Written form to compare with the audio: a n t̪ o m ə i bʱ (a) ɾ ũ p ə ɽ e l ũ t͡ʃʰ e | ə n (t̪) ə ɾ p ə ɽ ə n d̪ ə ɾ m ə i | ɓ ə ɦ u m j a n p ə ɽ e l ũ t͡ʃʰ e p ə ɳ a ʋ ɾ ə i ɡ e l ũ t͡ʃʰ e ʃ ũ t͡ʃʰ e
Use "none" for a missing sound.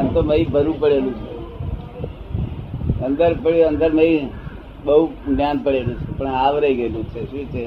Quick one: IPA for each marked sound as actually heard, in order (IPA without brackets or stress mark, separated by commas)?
ə, d̪